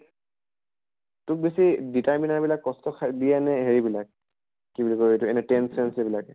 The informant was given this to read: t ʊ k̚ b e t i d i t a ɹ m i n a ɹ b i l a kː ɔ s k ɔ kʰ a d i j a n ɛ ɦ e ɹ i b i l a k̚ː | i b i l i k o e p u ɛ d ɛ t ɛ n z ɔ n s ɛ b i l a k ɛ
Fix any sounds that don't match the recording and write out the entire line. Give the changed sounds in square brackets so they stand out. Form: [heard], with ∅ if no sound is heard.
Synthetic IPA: t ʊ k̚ b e [s] i d i t a ɹ m i n a ɹ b i l a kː ɔ s [t] ɔ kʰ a d i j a n ɛ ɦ e ɹ i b i l a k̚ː | i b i l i k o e [t] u ɛ [n] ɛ t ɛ n [s] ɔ n s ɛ b i l a k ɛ